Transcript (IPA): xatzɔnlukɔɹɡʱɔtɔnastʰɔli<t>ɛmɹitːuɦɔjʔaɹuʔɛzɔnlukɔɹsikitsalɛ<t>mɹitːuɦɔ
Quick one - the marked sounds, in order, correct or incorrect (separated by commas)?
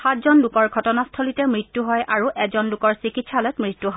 correct, correct